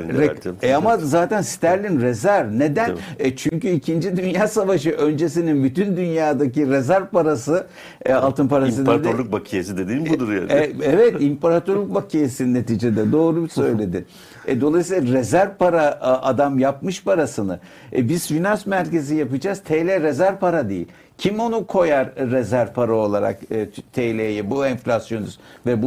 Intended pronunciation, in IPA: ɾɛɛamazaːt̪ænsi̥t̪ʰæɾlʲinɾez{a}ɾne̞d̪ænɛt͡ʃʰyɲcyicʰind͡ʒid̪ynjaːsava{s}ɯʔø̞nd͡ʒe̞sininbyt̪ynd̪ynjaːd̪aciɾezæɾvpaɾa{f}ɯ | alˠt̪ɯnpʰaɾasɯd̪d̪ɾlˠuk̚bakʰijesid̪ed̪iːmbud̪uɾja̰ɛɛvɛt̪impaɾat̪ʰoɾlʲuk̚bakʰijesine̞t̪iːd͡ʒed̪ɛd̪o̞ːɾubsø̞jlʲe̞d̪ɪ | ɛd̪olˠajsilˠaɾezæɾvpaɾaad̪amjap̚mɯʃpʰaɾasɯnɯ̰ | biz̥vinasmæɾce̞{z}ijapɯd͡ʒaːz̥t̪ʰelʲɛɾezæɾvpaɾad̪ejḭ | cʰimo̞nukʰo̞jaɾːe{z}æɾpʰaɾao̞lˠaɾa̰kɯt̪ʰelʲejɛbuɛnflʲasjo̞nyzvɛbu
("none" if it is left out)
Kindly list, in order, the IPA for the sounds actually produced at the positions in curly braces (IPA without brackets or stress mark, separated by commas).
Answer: æ, ʃ, s, z, z